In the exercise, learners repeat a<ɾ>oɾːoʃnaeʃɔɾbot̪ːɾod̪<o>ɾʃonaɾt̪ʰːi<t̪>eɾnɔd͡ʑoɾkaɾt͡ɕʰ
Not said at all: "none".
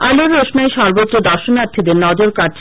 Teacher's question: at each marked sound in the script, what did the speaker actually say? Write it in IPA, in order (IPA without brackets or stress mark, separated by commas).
l, ɔ, d̪